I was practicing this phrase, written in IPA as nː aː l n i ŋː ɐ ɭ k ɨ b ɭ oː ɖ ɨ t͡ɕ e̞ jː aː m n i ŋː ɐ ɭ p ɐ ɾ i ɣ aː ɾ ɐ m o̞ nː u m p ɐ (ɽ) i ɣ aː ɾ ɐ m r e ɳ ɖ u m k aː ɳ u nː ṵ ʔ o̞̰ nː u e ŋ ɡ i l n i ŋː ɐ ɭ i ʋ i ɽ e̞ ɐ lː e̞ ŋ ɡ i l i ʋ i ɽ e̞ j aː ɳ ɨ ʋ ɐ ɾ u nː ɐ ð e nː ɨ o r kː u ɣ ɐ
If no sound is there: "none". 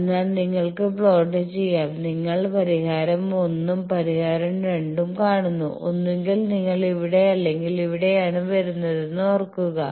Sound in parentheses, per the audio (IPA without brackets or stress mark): ɾ